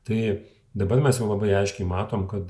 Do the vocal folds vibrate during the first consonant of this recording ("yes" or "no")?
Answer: no